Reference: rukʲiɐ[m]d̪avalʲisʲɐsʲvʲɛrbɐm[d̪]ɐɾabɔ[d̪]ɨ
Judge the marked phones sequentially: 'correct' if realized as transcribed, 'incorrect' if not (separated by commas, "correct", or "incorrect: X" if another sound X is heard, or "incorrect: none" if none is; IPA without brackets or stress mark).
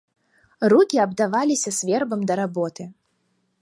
incorrect: b, correct, incorrect: t̪